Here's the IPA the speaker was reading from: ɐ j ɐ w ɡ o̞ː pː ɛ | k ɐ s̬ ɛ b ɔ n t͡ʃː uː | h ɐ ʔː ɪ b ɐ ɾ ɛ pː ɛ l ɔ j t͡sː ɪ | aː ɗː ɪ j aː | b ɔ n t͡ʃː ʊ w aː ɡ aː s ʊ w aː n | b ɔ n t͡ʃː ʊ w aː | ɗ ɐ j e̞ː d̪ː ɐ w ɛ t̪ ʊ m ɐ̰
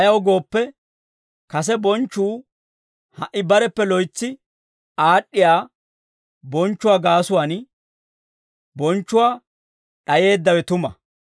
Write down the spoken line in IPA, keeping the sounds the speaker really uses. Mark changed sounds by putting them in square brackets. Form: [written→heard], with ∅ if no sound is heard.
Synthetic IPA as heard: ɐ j ɐ w ɡ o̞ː pː ɛ | k ɐ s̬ ɛ b ɔ n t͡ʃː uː | h ɐ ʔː ɪ b ɐ ɾ ɛ pː ɛ l ɔ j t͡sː ɪ | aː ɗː ɪ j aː | b ɔ n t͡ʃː ʊ w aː ɡ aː s ʊ w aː n | b ɔ n t͡ʃː ʊ w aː | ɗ ɐ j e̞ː d̪ː ɐ w ɛ t̪ ʊ m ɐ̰